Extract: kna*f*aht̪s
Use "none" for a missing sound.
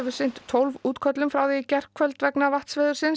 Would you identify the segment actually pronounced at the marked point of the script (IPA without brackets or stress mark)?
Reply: v